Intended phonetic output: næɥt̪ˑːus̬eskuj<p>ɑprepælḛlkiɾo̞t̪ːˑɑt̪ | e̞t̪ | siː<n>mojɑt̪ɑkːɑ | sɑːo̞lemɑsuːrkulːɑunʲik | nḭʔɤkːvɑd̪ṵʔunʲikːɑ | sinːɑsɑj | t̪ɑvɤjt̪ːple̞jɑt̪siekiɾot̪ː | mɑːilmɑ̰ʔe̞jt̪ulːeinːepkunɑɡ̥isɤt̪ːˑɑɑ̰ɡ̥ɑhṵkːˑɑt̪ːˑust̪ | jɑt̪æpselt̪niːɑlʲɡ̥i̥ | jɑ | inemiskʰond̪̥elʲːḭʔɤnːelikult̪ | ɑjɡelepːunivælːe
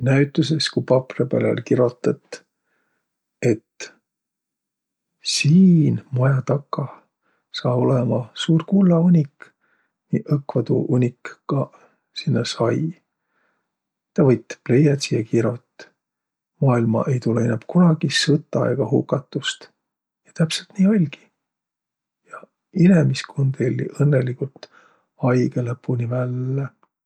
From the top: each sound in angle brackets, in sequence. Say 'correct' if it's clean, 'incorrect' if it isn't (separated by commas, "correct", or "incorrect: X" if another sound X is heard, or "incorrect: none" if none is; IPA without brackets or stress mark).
correct, correct